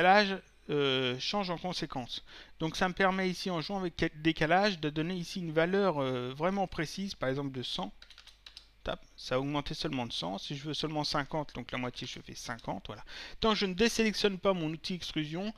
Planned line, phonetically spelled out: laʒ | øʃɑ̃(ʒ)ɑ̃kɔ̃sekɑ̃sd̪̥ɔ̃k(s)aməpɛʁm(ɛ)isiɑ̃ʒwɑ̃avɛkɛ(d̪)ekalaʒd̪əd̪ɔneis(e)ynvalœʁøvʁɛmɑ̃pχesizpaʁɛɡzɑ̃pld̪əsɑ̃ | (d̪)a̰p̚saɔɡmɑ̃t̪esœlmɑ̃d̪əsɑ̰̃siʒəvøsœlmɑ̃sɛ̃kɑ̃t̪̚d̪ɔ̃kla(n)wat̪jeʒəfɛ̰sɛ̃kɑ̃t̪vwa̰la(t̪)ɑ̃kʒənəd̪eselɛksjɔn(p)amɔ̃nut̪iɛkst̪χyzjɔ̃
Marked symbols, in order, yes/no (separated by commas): yes, yes, yes, yes, no, no, no, yes, yes